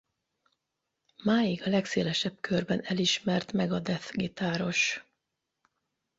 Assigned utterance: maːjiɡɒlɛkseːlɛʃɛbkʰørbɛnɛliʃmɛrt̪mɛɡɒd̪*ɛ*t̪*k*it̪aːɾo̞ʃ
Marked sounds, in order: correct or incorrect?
correct, incorrect: ɡ

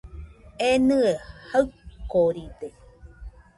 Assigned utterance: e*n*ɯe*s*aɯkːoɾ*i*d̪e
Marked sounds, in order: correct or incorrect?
correct, incorrect: h, correct

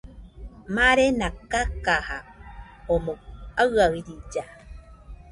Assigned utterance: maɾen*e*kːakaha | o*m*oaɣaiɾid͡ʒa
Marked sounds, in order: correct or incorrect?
incorrect: a, correct

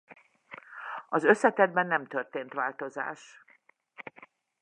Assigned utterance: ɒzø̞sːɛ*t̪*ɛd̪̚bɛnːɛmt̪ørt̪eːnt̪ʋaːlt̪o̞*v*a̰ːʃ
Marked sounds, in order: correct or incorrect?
correct, incorrect: z

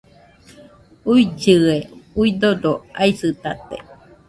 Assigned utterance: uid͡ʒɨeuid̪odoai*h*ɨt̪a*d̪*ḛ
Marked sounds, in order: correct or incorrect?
incorrect: s, incorrect: t̪

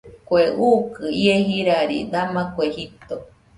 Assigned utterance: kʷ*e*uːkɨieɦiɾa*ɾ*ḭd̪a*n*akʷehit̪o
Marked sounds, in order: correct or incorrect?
correct, correct, incorrect: m

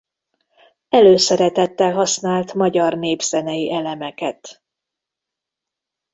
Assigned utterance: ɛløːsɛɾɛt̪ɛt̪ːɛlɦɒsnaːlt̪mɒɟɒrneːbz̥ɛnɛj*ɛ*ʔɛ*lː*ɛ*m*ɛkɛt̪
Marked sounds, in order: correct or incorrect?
incorrect: i, incorrect: l, correct

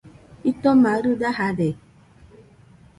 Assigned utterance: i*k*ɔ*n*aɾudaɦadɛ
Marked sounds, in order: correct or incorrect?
incorrect: t, incorrect: m

